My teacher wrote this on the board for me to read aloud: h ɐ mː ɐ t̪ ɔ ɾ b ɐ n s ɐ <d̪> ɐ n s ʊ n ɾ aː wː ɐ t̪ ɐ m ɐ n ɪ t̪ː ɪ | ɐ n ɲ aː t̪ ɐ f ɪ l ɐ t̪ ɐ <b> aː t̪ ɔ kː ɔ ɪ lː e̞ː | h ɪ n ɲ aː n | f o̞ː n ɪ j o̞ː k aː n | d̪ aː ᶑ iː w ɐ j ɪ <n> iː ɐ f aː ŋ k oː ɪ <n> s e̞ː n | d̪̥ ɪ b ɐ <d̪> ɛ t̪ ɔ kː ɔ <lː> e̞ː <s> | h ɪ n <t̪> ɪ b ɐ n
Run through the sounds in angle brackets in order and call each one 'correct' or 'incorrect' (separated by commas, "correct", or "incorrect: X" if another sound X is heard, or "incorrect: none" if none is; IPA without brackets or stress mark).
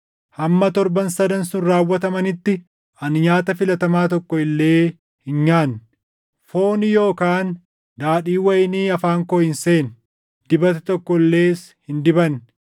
correct, incorrect: m, correct, correct, incorrect: t̪, correct, correct, incorrect: d̪